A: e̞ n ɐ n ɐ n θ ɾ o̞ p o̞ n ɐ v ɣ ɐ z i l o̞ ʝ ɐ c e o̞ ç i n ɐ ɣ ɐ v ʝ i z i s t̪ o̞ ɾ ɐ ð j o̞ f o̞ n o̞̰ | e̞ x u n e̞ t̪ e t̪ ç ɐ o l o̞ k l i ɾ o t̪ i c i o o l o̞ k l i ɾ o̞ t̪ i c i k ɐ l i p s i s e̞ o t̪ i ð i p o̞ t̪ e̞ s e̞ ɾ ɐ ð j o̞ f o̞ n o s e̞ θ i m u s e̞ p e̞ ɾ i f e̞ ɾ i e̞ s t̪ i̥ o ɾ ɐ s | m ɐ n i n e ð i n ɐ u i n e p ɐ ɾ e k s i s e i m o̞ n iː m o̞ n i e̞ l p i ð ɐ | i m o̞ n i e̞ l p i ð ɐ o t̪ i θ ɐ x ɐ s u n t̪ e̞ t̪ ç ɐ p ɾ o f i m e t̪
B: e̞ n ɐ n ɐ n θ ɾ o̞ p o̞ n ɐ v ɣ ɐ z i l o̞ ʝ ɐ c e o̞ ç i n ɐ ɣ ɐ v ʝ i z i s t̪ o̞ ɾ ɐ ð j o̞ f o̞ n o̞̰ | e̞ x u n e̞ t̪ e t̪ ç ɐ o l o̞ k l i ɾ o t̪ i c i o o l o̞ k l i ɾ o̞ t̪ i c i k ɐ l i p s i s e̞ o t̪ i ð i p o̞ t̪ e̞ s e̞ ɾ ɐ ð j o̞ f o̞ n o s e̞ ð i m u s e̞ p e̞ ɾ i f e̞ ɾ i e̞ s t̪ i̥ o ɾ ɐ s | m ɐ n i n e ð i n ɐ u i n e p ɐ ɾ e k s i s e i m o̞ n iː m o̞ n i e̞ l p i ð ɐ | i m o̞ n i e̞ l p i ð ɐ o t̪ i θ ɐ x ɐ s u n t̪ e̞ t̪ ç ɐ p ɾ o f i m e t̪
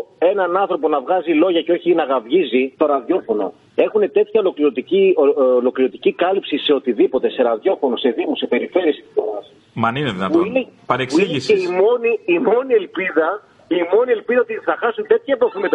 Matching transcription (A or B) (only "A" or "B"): B